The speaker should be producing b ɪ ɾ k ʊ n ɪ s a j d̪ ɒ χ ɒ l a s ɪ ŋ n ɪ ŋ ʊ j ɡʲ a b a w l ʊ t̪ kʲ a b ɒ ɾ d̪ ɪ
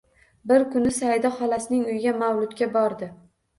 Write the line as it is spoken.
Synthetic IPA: b ɪ ɾ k ʊ n ɪ s a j d̪ ɒ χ ɒ l a s ɪ n ɪ ŋ ʊ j ɡʲ a m a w l ʊ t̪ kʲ a b ɒ ɾ d̪ ɪ